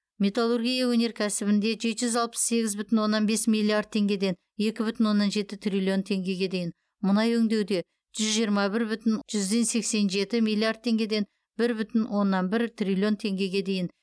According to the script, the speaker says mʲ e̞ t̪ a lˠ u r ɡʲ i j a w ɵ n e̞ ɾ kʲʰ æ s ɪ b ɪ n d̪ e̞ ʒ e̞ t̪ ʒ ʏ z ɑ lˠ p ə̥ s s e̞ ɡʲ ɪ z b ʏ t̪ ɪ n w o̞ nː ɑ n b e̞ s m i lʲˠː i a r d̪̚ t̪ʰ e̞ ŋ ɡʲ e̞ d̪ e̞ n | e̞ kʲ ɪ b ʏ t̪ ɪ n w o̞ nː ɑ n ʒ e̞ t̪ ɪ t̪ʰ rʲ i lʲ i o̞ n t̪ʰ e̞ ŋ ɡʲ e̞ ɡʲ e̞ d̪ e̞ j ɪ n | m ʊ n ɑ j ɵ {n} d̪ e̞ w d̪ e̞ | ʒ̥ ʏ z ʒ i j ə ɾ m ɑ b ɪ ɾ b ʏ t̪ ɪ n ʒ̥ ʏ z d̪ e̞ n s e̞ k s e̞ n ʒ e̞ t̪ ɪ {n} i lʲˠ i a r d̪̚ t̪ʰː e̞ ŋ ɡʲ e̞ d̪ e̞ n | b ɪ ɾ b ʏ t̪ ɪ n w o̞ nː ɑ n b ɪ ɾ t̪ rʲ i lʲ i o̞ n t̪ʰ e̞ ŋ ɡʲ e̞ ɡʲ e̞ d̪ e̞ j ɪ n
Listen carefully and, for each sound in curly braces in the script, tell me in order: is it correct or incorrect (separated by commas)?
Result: incorrect, incorrect